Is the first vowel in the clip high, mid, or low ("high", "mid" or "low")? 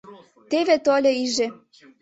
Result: mid